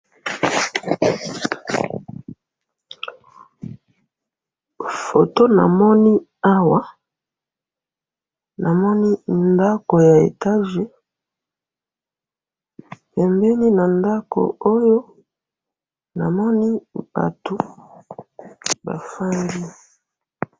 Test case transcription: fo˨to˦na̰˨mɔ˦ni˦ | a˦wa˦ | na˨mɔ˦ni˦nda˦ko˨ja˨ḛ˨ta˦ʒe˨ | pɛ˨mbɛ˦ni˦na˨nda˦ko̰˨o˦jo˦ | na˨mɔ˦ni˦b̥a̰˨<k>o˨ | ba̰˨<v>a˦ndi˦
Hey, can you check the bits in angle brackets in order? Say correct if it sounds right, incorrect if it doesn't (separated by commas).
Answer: incorrect, incorrect